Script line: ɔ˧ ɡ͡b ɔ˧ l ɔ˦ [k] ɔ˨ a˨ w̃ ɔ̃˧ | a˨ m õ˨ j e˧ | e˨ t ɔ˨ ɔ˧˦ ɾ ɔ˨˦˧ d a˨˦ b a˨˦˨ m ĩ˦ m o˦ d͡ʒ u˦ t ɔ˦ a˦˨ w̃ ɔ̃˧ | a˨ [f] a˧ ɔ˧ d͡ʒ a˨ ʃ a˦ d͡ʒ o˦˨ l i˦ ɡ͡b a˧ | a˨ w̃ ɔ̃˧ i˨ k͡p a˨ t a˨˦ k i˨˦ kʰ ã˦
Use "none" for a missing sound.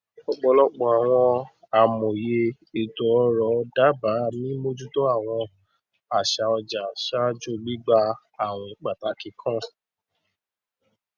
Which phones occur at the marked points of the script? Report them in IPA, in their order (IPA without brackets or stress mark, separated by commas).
k͡p, ʃ